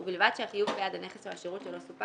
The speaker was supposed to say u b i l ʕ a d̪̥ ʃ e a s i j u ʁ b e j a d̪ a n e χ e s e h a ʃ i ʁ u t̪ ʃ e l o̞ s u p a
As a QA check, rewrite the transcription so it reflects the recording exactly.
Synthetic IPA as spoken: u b i l v a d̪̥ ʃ e a χ i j u v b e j a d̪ a n e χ e s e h a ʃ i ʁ u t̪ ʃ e l o̞ s u p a